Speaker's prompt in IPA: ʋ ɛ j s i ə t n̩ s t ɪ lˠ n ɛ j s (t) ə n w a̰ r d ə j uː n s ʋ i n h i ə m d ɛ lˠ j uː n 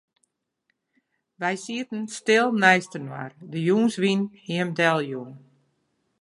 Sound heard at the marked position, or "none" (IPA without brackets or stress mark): t